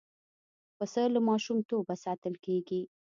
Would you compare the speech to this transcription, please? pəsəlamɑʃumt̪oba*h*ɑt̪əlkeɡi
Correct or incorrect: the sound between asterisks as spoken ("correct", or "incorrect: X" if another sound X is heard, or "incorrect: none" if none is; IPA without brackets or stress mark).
incorrect: s